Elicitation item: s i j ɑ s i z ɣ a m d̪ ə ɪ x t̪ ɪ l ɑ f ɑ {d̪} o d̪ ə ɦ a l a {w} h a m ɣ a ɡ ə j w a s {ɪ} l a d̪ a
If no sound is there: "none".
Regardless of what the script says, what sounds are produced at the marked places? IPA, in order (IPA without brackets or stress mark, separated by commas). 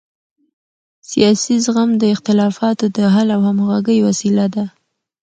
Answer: t̪, w, i